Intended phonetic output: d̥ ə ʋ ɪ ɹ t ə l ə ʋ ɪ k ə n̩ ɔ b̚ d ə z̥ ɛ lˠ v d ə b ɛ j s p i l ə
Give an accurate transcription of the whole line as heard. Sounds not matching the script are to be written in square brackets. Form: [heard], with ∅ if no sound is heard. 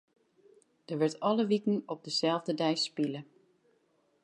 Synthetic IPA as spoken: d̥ ə ʋ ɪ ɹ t [ɑ] l ə ʋ [i] k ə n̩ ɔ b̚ d ə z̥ ɛ lˠ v d ə [d] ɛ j s p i l ə